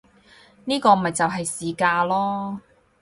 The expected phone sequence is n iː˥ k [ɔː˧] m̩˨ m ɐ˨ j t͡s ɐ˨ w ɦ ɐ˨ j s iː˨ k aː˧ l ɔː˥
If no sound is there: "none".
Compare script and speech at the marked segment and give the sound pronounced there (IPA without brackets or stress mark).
ɔː˧